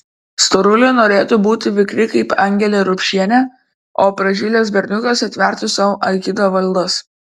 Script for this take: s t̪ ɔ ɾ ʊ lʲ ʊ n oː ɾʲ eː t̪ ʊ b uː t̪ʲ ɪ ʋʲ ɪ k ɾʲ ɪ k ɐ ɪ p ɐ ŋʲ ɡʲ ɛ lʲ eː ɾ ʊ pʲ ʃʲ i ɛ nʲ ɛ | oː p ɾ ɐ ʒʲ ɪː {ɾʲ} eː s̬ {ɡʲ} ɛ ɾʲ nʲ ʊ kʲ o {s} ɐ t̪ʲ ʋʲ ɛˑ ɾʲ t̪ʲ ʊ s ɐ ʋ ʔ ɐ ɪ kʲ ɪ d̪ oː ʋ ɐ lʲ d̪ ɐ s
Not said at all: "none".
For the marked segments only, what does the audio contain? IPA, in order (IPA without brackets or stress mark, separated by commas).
lʲ, bʲ, s